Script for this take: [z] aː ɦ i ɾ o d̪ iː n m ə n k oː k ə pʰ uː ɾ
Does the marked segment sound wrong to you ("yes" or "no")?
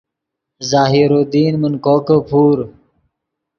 no